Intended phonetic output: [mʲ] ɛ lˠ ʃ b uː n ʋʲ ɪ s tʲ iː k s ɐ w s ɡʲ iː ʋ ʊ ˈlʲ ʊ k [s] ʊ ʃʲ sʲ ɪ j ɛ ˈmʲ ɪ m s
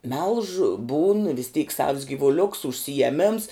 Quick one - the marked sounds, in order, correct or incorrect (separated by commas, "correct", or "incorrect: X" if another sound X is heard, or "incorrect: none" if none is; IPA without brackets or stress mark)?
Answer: correct, correct